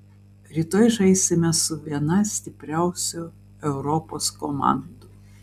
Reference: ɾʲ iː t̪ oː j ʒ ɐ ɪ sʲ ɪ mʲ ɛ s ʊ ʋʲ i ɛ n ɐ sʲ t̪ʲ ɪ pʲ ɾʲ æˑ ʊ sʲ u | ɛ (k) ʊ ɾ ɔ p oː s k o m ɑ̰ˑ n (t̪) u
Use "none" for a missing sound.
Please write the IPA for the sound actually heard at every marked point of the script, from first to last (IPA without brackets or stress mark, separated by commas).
none, d̪